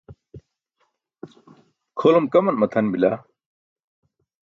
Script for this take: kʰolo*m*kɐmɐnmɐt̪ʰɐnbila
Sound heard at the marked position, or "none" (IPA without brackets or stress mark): m